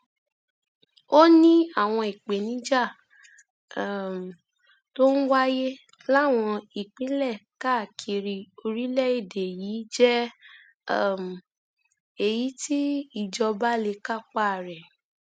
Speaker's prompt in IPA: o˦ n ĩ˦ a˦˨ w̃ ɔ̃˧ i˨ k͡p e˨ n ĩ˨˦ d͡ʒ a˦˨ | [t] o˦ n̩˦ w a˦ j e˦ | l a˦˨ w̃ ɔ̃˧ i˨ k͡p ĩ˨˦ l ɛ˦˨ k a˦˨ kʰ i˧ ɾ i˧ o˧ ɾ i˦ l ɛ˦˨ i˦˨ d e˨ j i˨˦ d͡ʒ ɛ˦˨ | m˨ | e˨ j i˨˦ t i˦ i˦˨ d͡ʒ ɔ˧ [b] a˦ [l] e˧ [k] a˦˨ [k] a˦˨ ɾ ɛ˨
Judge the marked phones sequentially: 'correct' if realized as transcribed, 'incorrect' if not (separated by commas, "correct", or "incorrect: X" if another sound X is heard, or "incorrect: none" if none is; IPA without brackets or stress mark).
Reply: correct, correct, correct, correct, incorrect: k͡p